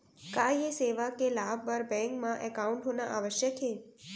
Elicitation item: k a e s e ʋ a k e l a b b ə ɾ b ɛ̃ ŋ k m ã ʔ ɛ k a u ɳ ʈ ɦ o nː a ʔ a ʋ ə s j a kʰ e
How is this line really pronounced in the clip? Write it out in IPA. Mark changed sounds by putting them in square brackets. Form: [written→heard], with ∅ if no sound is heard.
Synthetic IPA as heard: k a e s e ʋ a k e l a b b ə ɾ b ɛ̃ ŋ k m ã ʔ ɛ k a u ɳ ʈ ɦ o [nː→n] a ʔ a ʋ ə [s→ʃ] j [a→ə] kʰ e